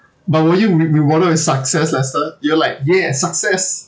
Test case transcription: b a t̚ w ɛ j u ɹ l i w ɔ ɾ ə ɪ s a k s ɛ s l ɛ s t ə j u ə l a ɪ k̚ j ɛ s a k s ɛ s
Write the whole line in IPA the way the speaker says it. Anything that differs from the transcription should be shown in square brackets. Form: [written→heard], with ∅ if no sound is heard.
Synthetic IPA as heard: b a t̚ w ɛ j u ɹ [l→ɹ] i w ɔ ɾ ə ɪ s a k s ɛ s l ɛ s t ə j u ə l a ɪ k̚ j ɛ s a k s ɛ s